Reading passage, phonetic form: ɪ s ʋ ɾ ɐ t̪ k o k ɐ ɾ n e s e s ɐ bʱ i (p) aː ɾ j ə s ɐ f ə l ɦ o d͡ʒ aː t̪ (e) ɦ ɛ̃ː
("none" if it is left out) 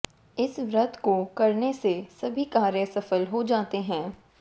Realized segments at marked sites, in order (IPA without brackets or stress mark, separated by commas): k, e